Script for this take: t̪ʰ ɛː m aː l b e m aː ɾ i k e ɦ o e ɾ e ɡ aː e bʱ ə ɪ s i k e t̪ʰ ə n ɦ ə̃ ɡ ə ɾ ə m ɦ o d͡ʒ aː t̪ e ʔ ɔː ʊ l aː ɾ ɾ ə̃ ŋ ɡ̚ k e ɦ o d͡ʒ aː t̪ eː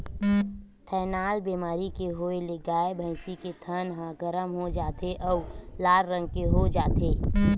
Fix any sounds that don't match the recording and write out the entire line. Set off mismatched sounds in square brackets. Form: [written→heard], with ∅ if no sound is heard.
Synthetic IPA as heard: t̪ʰ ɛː [m→n] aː l b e m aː ɾ i k e ɦ o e [ɾ→l] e ɡ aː e bʱ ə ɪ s i k e t̪ʰ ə n ɦ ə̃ ɡ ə ɾ ə m ɦ o d͡ʒ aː t̪ e ʔ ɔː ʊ l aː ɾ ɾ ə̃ ŋ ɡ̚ k e ɦ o d͡ʒ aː t̪ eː